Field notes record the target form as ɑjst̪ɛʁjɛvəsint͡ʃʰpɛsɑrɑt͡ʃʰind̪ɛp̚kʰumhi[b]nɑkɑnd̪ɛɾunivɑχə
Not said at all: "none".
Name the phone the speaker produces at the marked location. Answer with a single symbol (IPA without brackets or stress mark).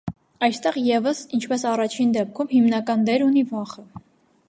m